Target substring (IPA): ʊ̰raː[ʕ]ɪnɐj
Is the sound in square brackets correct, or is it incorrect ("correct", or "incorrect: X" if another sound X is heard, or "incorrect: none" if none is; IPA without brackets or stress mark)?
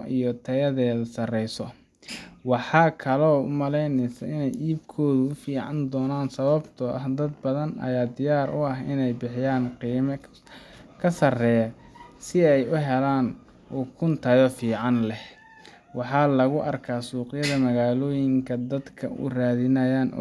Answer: incorrect: ð